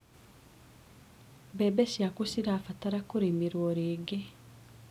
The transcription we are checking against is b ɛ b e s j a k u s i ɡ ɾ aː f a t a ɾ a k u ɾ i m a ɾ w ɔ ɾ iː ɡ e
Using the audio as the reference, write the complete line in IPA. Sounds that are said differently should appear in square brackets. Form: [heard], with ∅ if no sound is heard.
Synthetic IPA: b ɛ b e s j a k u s i [∅] ɾ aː f a t a ɾ a k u ɾ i m [i] ɾ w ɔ ɾ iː ɡ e